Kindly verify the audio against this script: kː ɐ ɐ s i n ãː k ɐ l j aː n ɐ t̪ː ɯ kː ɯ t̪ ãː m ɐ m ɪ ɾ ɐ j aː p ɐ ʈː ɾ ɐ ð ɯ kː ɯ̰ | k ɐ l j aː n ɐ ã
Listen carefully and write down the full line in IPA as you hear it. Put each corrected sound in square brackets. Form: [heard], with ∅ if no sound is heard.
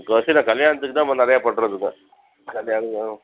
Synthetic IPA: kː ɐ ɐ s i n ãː k ɐ l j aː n ɐ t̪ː ɯ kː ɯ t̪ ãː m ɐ [n] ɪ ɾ ɐ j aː p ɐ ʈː ɾ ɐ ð ɯ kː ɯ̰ | k ɐ l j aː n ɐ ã

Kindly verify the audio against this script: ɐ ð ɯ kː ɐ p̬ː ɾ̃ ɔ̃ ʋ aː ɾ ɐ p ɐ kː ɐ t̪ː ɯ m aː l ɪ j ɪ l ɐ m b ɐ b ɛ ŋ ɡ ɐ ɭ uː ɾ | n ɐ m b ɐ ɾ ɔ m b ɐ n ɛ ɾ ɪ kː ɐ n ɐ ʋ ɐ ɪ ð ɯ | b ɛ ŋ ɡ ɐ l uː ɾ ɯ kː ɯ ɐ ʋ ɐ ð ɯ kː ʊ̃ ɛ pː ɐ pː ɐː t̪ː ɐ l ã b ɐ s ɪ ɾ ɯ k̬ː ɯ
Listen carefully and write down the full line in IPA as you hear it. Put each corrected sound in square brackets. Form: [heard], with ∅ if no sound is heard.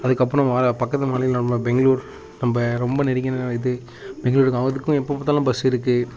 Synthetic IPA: ɐ ð ɯ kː ɐ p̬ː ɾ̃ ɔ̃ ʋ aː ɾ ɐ p ɐ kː ɐ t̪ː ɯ m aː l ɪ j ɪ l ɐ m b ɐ b ɛ ŋ ɡ ɐ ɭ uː ɾ | n ɐ m b ɐ ɾ ɔ m b ɐ n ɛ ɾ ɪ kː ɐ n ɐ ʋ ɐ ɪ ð ɯ | b ɛ ŋ ɡ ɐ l uː ɾ ɯ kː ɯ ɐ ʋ ɐ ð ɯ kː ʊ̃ ɛ pː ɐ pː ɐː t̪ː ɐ l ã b ɐ s ɪ ɾ ɯ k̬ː ɯ

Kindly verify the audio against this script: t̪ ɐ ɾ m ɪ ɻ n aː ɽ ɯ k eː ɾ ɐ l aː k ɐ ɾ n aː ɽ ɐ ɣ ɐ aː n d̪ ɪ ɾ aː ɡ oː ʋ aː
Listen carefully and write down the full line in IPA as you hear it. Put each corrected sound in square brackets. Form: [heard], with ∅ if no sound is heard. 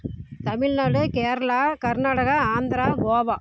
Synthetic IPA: t̪ ɐ [∅] m ɪ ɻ n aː ɽ ɯ k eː ɾ ɐ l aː k ɐ ɾ n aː ɽ ɐ ɣ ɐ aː n d̪ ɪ ɾ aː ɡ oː ʋ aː

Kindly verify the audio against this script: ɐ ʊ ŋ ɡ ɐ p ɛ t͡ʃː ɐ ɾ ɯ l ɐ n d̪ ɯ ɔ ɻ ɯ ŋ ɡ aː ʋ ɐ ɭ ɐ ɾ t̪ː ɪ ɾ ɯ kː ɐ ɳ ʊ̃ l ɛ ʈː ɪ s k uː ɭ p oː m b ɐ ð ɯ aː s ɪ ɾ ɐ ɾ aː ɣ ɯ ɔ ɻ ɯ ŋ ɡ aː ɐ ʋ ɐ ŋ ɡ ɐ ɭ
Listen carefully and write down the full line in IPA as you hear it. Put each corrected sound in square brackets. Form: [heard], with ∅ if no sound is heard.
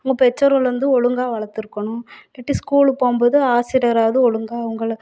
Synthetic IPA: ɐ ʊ ŋ ɡ ɐ p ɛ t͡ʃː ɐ ɾ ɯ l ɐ n d̪ ɯ ɔ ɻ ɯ ŋ ɡ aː ʋ ɐ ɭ ɐ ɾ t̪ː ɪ ɾ ɯ kː ɐ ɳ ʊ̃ l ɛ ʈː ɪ s k uː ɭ p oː m b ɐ ð ɯ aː s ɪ ɾ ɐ ɾ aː [ð] ɯ ɔ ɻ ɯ ŋ ɡ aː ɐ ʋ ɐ ŋ ɡ ɐ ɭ

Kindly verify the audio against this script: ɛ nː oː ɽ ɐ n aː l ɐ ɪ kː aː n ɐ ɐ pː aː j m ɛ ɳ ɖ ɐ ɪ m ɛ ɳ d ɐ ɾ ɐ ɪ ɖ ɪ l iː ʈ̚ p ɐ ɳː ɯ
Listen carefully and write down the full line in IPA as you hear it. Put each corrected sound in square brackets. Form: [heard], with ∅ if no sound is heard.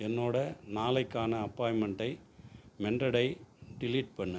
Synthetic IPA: ɛ nː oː ɽ ɐ n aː l ɐ ɪ kː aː n ɐ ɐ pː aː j m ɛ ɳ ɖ ɐ ɪ m ɛ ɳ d ɐ [ɽ] ɐ ɪ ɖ ɪ l iː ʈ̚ p ɐ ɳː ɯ

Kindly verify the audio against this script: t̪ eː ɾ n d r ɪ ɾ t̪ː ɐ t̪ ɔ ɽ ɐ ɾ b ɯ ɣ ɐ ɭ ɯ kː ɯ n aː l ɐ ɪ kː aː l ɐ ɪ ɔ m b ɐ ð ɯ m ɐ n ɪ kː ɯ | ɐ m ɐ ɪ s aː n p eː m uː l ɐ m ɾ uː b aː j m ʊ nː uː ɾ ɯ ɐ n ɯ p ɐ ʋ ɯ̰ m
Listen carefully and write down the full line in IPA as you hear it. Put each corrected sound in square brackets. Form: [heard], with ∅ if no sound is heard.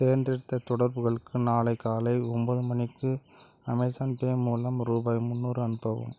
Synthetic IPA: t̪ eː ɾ n d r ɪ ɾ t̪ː ɐ t̪ ɔ ɽ ɐ ɾ b ɯ ɣ ɐ ɭ ɯ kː ɯ n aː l ɐ ɪ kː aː l ɐ ɪ ɔ m b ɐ ð ɯ m ɐ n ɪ kː ɯ | ɐ m ɐ ɪ s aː n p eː m uː l ɐ m ɾ uː b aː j m ʊ nː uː ɾ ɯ ɐ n ɯ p ɐ ʋ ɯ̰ m

